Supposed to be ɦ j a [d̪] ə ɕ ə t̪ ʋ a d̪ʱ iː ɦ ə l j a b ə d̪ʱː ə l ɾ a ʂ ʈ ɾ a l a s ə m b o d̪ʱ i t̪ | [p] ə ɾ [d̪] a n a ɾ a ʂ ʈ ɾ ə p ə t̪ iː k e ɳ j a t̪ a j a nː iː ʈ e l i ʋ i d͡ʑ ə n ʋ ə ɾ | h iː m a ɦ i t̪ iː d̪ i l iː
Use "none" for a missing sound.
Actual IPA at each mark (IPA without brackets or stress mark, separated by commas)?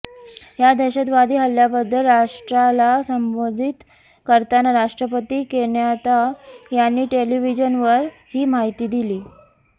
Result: d̪, k, t̪